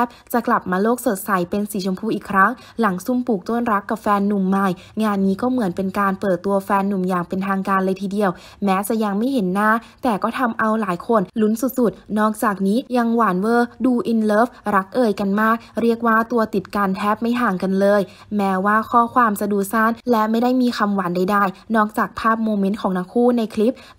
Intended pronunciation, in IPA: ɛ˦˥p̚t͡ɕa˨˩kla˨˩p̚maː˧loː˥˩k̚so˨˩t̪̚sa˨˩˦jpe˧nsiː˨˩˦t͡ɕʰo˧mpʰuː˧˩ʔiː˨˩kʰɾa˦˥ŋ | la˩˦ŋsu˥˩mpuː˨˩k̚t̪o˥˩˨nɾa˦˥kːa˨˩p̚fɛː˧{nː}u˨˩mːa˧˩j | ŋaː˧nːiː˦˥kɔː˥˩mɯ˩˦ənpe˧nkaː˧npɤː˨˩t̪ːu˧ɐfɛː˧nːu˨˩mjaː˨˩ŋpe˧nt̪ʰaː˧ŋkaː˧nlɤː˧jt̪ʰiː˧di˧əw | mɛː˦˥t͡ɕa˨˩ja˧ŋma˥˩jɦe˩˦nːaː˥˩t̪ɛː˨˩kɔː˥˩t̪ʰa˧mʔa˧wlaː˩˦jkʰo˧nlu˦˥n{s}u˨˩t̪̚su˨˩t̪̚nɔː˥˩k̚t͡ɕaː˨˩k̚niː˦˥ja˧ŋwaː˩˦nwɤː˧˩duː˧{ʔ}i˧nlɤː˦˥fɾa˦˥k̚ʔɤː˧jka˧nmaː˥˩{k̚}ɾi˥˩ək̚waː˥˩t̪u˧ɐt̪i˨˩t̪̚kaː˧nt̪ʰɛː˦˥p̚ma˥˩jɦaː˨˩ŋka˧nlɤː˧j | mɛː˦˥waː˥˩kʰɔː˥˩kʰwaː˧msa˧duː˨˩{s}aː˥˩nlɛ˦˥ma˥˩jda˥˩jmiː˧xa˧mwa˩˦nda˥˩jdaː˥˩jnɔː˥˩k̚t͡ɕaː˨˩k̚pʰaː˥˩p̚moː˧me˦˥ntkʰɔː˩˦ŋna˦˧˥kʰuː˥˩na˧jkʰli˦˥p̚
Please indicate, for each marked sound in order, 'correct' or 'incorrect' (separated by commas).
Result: correct, correct, correct, correct, correct